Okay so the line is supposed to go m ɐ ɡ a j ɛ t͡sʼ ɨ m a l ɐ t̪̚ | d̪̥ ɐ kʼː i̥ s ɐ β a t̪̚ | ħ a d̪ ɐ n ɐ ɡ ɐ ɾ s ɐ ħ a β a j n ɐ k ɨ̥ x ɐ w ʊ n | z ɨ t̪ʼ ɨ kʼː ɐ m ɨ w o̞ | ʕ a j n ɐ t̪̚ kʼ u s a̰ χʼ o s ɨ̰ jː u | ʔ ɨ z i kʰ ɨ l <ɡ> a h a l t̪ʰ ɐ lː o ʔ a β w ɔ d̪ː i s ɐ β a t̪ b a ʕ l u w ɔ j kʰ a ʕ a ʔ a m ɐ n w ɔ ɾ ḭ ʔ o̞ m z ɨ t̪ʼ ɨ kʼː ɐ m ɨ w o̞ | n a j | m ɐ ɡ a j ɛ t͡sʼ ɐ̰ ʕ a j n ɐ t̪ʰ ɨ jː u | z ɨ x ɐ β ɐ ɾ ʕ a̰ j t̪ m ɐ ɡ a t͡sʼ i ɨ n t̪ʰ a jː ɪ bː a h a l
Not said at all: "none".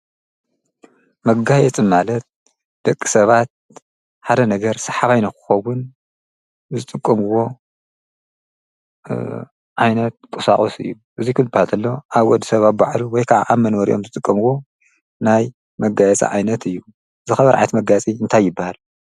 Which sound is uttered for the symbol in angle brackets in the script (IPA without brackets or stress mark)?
b